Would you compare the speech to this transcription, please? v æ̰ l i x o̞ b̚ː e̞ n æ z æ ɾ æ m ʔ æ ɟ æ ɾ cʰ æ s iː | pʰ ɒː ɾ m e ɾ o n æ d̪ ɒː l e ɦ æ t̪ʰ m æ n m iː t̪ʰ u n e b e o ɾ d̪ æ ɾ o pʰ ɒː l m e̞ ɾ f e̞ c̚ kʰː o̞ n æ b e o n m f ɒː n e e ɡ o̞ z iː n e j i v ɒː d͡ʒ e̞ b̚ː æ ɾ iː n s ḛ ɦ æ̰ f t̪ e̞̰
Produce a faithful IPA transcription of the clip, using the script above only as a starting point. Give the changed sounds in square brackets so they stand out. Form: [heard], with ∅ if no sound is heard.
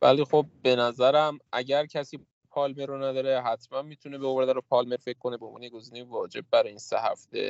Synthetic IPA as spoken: v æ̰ l i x o̞ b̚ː e̞ n æ z æ ɾ æ m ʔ æ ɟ æ ɾ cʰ æ s iː | pʰ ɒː [l] m e ɾ o n æ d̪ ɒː [ɾ] e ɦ æ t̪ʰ m æ n m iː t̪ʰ u n e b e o ɾ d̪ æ ɾ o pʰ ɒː l m e̞ ɾ f e̞ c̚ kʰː o̞ n [e] b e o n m [v] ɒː n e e ɡ o̞ z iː n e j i v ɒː d͡ʒ e̞ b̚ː æ ɾ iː n s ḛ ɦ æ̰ f t̪ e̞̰